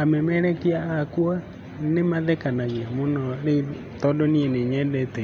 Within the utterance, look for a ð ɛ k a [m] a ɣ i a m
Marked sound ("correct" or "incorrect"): incorrect